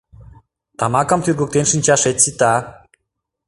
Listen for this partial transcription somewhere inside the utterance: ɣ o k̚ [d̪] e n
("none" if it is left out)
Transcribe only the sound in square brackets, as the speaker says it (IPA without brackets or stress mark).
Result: t̪